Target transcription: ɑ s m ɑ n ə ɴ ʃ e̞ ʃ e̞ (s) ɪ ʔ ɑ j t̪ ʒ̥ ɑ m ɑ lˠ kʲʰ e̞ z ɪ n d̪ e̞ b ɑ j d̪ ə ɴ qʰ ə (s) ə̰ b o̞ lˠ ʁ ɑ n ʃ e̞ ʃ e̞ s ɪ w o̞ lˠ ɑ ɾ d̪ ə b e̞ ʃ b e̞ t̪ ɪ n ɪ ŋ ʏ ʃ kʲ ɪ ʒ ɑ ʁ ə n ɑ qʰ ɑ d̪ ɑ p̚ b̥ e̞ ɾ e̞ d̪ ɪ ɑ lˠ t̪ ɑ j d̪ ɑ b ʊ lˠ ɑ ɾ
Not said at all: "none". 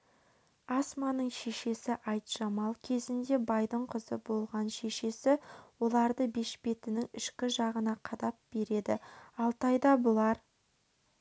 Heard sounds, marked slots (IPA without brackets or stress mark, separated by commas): s, z